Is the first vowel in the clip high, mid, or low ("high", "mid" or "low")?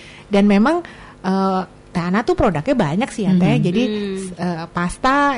low